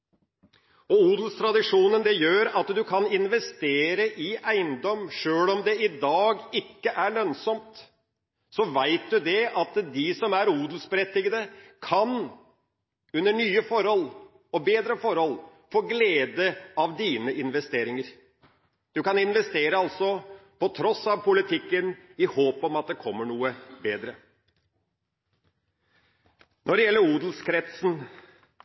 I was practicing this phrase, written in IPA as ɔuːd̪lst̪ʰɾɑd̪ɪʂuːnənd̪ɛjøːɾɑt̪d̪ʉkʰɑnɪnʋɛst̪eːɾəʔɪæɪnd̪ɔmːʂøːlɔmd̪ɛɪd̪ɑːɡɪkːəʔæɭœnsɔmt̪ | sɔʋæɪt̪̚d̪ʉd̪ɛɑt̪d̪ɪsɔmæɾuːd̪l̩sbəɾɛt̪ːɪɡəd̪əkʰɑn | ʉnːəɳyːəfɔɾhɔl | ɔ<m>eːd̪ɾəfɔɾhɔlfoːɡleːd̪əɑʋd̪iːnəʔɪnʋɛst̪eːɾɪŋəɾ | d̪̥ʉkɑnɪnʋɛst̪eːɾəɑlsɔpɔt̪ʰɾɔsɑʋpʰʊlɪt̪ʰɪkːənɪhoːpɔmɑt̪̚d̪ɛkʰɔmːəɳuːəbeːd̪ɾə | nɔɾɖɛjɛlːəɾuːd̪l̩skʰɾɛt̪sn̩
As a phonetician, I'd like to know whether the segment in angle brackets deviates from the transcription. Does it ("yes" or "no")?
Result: yes